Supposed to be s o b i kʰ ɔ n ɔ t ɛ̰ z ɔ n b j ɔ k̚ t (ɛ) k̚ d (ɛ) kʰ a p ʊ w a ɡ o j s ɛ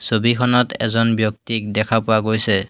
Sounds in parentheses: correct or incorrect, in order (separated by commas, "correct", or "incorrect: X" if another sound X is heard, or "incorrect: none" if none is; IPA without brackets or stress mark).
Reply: incorrect: i, correct